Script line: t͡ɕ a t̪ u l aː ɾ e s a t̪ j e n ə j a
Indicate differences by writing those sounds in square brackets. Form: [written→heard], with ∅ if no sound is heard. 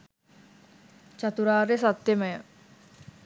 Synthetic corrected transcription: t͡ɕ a t̪ u [l→ɾ] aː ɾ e s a t̪ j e [n→m] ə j [a→ə]